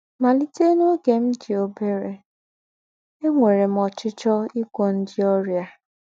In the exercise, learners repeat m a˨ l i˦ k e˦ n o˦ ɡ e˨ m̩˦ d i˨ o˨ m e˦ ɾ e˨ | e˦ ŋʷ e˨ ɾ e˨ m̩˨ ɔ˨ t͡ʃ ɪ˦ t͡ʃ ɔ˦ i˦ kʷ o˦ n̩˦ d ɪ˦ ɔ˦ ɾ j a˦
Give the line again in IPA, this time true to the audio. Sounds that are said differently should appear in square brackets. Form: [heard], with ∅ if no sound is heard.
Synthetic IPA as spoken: m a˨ l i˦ [t] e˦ n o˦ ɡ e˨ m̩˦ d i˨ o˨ [b] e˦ ɾ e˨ | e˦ ŋʷ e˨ ɾ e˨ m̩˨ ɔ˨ t͡ʃ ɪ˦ t͡ʃ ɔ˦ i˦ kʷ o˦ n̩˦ d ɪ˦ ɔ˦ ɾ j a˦